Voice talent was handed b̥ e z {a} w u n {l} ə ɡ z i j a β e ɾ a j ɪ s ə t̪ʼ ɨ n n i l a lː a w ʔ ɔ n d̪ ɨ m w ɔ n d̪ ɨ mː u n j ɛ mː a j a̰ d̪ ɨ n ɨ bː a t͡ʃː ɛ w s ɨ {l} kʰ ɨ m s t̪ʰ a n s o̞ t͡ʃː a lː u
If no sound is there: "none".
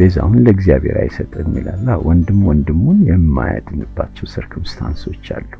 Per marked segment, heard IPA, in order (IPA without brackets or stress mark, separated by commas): a, l, ɾ